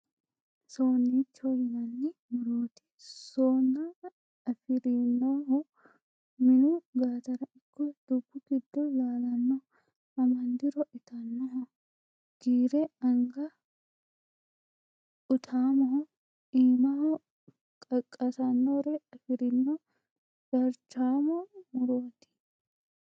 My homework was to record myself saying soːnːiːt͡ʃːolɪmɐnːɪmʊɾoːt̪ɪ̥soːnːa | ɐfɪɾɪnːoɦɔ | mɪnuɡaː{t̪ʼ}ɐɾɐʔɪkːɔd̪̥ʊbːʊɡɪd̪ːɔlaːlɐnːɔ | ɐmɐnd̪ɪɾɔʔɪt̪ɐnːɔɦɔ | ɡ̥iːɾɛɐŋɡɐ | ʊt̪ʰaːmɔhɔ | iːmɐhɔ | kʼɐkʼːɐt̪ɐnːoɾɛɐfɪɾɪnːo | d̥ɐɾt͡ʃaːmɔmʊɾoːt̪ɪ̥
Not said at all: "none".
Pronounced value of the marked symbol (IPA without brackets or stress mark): t̪